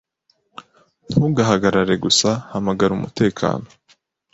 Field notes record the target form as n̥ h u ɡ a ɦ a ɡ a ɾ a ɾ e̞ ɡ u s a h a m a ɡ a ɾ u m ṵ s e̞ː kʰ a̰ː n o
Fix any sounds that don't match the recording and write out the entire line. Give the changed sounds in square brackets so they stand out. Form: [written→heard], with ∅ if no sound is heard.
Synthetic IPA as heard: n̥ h u ɡ a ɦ a ɡ a ɾ a ɾ e̞ ɡ u s a h a m a ɡ a ɾ u m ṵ [s→t] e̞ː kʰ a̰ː n o